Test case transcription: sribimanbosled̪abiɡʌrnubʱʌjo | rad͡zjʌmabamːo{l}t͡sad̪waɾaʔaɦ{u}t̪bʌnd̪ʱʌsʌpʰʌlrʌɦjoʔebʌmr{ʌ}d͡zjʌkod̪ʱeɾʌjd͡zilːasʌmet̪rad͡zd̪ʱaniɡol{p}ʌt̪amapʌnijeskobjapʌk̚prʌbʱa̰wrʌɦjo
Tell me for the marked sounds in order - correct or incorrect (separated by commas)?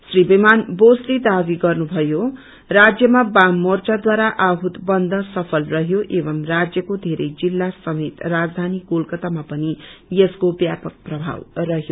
incorrect, correct, incorrect, incorrect